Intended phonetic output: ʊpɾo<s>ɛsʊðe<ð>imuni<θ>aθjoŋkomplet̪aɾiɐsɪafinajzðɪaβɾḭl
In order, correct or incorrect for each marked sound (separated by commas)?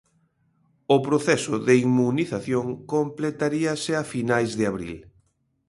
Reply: incorrect, incorrect, correct